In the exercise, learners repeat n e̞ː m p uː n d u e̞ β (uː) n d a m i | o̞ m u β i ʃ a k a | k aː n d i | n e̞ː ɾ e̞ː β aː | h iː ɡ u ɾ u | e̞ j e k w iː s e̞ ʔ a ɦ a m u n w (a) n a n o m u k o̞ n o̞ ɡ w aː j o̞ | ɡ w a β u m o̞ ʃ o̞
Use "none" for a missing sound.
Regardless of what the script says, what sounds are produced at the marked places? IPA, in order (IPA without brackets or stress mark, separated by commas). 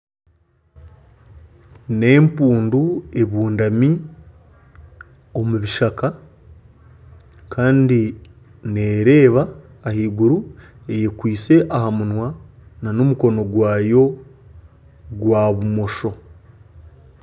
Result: uː, a